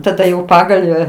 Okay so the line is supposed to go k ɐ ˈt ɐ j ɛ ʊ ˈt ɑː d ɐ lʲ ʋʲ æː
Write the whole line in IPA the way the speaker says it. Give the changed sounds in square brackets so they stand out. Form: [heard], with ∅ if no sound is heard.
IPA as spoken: [t] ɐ [ˈd] ɐ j ɛ ʊ [ˈp] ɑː [ɡ] ɐ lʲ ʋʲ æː